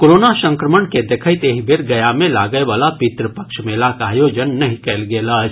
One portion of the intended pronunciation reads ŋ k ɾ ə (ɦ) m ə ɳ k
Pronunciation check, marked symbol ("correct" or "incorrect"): incorrect